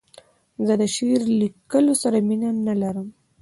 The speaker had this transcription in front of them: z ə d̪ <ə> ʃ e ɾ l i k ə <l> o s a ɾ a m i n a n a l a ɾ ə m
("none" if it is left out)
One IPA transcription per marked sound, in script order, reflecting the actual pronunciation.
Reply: ə, l

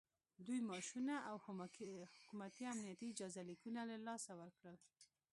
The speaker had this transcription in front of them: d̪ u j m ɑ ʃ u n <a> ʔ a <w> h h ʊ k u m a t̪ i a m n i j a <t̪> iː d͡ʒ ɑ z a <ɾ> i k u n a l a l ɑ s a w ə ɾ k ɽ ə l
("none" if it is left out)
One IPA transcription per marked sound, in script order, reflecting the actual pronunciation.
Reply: a, w, t̪, l

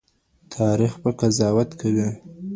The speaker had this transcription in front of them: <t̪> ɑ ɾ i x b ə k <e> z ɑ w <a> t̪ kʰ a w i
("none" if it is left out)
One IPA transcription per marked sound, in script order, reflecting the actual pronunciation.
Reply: t̪ʰ, a, a

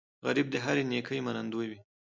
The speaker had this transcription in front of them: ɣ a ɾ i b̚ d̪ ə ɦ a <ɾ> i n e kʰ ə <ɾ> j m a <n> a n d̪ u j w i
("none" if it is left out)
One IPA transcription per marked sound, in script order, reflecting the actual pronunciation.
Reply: ɾ, none, n

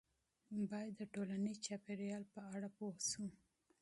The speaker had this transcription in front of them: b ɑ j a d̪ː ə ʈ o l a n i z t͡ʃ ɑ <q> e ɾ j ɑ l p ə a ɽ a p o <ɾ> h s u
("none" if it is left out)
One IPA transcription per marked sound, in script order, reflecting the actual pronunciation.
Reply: p, none

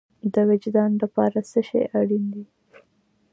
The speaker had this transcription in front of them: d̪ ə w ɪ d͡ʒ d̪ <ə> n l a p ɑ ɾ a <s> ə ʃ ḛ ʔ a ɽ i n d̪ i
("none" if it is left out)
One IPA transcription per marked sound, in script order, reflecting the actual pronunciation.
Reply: ɑ, s

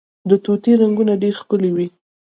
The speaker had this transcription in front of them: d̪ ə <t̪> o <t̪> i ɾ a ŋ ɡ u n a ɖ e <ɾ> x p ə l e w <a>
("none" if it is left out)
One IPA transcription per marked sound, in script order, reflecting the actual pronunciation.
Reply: t̪, t̪, ɾ, i

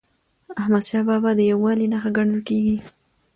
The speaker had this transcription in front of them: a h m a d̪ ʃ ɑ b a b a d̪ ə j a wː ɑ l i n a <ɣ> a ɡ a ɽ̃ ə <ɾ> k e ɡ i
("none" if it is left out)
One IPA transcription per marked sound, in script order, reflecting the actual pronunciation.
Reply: x, l

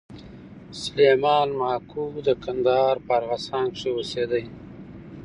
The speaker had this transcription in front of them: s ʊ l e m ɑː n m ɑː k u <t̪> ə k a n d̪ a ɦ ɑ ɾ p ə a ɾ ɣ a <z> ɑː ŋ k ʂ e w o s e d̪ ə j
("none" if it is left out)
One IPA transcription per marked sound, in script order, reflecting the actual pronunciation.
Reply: d̪, s

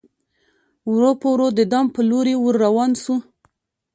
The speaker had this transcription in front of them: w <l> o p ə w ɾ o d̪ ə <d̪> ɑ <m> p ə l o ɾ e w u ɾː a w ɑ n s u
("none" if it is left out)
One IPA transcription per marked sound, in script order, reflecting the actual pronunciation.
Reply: ɾ, d̪, m

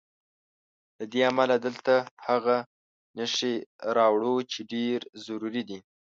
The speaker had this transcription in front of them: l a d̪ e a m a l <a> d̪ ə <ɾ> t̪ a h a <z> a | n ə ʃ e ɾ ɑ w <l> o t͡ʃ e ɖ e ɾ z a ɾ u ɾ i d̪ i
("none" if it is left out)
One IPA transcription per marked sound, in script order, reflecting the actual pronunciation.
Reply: a, l, ɣ, ɽ

